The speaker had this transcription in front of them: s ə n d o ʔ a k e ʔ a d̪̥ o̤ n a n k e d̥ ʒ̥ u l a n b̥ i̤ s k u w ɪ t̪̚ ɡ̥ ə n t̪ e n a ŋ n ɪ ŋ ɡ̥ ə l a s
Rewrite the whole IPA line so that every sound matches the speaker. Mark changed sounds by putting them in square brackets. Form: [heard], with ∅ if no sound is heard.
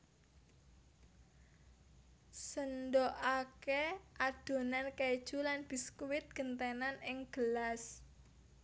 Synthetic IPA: s ə n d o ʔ a k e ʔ a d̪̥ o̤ n a n k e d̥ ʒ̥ u l a n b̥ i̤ s k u w ɪ t̪̚ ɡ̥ ə n t̪ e n a [∅] n ɪ ŋ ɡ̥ ə l a s